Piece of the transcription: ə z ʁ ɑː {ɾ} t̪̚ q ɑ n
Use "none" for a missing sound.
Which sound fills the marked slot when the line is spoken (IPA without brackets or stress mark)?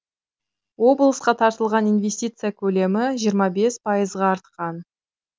ɾ